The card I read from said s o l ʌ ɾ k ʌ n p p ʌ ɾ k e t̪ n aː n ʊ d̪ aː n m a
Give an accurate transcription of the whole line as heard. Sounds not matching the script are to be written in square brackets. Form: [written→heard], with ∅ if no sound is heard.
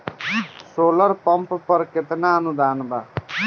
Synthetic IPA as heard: s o l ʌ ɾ [k→p] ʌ [n→m] p p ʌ ɾ k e t̪ n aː n [ʊ→u] d̪ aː n [m→b] a

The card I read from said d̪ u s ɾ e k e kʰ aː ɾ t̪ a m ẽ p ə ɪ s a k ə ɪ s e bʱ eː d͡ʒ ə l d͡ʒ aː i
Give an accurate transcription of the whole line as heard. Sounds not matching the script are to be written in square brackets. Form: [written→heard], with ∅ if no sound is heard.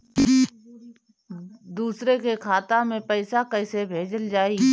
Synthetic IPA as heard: d̪ [u→uː] s ɾ e k e kʰ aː [ɾ→∅] t̪ a m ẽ p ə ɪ s a k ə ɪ s e bʱ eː d͡ʒ ə l d͡ʒ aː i

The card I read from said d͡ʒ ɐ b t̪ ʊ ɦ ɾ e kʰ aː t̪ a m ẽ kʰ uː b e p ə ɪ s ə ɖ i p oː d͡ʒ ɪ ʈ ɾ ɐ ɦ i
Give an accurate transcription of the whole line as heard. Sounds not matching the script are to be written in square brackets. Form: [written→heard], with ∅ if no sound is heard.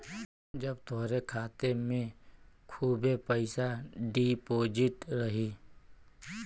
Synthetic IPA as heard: d͡ʒ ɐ b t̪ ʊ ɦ ɾ e kʰ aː t̪ [a→e] m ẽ kʰ uː b e p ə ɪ s [ə→a] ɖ i p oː d͡ʒ ɪ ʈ ɾ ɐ ɦ i

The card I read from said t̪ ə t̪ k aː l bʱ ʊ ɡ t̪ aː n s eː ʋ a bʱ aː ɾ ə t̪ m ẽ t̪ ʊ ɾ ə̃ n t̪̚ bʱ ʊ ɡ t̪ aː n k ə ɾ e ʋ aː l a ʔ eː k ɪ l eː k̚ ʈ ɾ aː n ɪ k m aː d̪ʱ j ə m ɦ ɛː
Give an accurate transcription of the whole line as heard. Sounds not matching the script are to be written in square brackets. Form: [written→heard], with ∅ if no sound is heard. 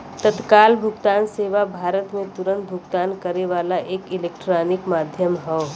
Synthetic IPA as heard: t̪ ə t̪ k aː l bʱ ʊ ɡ t̪ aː n s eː ʋ a bʱ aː ɾ ə t̪ m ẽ t̪ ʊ ɾ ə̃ n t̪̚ bʱ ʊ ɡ t̪ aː n k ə ɾ e ʋ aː l a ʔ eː k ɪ l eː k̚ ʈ ɾ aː n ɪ k m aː d̪ʱ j ə m ɦ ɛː

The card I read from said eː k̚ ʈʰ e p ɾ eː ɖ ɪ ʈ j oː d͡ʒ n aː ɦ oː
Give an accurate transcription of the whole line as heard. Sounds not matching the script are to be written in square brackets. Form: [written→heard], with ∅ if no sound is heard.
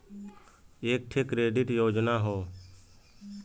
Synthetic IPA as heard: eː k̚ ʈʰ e [p→k] ɾ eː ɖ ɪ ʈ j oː d͡ʒ n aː ɦ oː

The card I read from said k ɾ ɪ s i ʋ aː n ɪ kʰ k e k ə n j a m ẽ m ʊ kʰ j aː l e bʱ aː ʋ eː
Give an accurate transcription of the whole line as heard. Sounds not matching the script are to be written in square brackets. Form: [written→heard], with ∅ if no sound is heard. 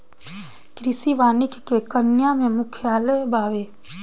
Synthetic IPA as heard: k ɾ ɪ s i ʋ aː n ɪ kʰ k e k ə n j a m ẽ m ʊ kʰ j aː l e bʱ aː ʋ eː

